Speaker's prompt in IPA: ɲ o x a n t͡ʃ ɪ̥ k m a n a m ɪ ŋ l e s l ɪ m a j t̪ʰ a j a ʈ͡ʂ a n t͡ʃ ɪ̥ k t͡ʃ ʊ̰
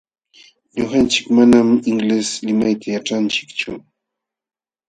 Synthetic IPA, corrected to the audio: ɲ o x a n t͡ʃ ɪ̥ k m a n a m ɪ ŋ l e s l ɪ m a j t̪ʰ a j a ʈ͡ʂ a n t͡ʃ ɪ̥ k t͡ʃ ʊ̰